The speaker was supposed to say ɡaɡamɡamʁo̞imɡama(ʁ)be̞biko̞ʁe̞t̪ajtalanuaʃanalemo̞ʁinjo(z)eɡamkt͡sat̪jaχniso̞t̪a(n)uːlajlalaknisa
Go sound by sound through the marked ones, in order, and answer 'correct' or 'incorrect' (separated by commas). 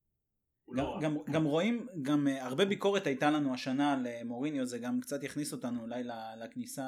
correct, correct, correct